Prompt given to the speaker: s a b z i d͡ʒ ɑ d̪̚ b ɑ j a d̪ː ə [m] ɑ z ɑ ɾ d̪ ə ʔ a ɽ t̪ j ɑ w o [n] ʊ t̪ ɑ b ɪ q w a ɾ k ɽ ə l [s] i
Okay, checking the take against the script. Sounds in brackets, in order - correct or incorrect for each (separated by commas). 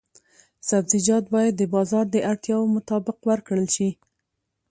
incorrect, incorrect, incorrect